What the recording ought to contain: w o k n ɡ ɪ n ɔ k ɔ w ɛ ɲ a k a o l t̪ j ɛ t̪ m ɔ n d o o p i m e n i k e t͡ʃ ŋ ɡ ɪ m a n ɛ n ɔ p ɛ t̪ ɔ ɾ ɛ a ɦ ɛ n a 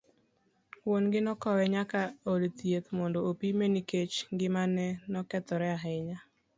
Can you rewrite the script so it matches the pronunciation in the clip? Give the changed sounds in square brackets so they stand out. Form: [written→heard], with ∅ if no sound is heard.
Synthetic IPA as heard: w o [k→∅] n ɡ ɪ n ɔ k ɔ w ɛ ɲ a k a o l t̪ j [ɛ→e] t̪ m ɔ n d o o p i m e n i k e t͡ʃ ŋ ɡ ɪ m a n ɛ n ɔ [p→k] ɛ t̪ ɔ ɾ ɛ a ɦ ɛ [n→ɲ] a